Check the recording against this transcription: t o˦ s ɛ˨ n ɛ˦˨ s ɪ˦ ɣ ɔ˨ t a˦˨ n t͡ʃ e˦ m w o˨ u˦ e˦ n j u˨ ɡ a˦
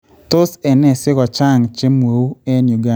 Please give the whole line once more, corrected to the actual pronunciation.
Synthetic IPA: t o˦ s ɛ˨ n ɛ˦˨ s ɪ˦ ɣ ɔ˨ t͡ʃ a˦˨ ŋ t͡ʃ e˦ m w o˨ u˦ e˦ n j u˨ ɡ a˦